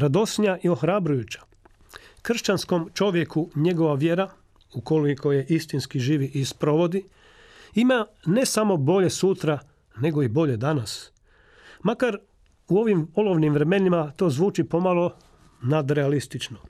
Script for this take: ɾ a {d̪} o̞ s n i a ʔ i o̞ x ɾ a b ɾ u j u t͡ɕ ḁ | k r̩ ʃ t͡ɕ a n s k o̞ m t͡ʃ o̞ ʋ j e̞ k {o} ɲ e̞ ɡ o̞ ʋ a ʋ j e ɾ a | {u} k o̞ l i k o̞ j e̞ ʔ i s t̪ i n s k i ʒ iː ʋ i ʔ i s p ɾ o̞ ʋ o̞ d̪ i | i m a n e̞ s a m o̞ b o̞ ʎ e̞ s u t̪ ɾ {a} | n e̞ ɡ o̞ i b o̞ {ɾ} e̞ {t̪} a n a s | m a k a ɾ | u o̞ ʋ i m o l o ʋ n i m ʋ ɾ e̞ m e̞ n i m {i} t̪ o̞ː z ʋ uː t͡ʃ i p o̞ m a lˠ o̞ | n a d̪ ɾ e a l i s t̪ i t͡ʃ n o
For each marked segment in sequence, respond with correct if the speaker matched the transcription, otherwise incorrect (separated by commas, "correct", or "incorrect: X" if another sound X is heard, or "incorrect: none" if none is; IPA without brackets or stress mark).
correct, incorrect: u, correct, correct, incorrect: ʎ, incorrect: d̪, incorrect: a